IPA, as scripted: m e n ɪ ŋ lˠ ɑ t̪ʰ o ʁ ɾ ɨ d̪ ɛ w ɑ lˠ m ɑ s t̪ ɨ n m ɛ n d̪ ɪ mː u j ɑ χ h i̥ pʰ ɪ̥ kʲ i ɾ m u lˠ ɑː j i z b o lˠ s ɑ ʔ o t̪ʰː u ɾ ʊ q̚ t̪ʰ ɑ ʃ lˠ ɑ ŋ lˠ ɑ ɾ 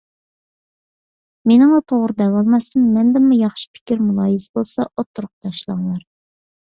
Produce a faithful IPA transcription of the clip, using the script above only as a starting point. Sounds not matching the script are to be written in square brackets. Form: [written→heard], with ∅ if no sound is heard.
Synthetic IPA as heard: m e n ɪ ŋ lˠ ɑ t̪ʰ o ʁ ɾ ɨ d̪ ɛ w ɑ lˠ m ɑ s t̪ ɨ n m ɛ n d̪ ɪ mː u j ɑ χ [h→ʃ] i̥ pʰ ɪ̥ kʲ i ɾ m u lˠ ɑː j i z b o lˠ s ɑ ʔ o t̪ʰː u ɾ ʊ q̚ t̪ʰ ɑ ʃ lˠ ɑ ŋ lˠ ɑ ɾ